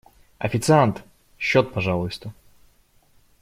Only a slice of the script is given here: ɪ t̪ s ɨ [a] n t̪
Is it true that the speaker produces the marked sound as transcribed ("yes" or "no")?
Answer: yes